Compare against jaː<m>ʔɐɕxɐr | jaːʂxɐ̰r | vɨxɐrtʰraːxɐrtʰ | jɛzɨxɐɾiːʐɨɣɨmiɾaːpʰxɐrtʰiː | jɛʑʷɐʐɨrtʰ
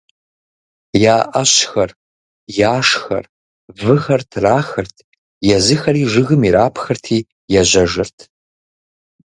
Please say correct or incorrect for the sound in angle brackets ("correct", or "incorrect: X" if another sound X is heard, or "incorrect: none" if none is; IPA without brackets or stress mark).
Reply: incorrect: none